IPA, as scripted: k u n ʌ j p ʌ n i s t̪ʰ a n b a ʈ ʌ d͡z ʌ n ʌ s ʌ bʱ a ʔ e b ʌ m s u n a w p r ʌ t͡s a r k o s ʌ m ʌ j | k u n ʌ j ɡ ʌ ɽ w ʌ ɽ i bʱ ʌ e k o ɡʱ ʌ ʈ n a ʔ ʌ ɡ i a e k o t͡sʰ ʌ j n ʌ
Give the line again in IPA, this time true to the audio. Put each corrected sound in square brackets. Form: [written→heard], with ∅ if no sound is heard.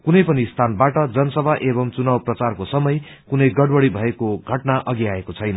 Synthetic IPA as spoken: k u n ʌ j p ʌ n i s t̪ʰ a n b a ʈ ʌ d͡z ʌ n ʌ s ʌ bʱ a ʔ e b ʌ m [s→t͡s] u n a w p r ʌ t͡s a r k o s ʌ m ʌ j | k u n ʌ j ɡ ʌ ɽ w ʌ ɽ i bʱ ʌ e k o ɡʱ ʌ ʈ n a ʔ ʌ ɡ i a e k o t͡sʰ ʌ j n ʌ